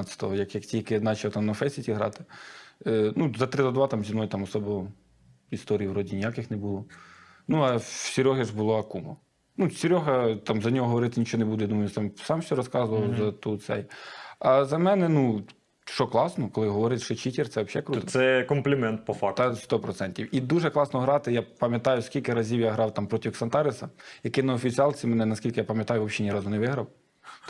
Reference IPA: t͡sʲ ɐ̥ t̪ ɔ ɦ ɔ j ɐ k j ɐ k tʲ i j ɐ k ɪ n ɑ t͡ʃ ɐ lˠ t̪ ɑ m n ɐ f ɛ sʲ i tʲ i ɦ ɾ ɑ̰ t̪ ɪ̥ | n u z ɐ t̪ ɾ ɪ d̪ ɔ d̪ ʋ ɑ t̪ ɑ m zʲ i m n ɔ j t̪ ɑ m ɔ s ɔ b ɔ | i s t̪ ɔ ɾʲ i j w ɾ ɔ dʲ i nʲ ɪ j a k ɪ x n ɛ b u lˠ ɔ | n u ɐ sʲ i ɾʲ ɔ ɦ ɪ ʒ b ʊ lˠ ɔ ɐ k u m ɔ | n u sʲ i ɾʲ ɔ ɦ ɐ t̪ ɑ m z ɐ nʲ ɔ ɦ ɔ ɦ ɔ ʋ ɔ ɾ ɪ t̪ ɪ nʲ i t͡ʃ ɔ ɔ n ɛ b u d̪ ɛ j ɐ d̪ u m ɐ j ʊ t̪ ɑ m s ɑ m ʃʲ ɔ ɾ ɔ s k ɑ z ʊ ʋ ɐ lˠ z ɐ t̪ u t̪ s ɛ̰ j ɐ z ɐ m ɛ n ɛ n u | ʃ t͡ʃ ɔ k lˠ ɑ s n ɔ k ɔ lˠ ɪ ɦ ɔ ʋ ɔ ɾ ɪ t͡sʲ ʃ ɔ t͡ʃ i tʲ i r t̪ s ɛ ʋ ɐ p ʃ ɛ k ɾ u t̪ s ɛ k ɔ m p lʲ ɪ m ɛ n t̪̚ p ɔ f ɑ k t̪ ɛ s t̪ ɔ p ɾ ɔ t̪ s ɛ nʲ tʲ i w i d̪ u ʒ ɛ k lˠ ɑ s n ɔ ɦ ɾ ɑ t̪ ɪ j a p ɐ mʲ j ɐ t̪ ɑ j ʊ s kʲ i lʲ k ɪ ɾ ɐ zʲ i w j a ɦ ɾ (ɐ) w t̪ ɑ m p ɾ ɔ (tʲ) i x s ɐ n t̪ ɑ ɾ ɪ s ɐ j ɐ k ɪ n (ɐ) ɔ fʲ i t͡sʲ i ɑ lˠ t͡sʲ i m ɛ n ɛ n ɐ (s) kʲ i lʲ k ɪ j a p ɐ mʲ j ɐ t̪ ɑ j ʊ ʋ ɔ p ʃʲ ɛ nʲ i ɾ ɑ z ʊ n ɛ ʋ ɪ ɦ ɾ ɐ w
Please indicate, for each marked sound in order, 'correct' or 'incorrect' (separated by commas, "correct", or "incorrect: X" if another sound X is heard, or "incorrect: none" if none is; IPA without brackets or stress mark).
incorrect: ɑ, correct, correct, correct